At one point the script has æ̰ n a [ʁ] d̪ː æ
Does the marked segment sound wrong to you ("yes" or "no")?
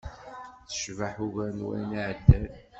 yes